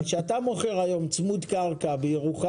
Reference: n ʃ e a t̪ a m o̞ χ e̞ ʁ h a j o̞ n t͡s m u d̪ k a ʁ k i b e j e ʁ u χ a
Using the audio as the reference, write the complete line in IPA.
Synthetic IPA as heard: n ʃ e a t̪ a m o̞ χ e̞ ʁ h a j o̞ m t͡s m u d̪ k a ʁ k a b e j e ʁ u χ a